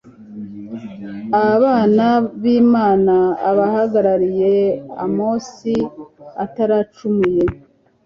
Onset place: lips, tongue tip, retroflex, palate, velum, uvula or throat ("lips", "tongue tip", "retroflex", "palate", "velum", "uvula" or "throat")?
lips